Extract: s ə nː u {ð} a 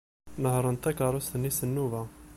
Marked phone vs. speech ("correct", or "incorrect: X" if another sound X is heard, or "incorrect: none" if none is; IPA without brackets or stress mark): incorrect: v